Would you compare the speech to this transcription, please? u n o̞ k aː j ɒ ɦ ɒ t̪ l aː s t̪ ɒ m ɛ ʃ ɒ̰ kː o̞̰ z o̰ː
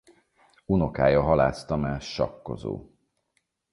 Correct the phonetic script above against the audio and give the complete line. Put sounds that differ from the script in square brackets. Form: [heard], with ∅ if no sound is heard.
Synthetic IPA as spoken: u n o̞ k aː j ɒ ɦ ɒ [∅] l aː s t̪ ɒ m ɛ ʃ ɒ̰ kː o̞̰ z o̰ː